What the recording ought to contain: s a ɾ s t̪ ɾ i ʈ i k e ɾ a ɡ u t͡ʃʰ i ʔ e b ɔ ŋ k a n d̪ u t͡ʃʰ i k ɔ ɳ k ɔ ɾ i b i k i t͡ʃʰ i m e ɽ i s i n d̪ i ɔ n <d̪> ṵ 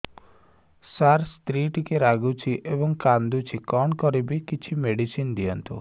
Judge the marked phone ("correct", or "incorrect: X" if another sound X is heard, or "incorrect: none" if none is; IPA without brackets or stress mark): incorrect: t̪